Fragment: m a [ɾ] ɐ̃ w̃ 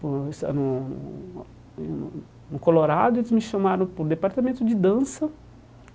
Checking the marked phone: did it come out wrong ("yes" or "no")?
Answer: no